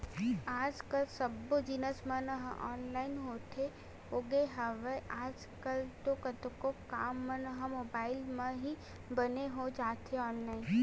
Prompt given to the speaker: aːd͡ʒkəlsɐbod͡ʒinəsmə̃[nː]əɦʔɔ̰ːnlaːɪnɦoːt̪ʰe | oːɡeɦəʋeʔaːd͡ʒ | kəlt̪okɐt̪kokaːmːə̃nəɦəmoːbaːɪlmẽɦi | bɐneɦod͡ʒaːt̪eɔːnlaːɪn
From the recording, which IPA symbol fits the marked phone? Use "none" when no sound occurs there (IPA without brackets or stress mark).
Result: n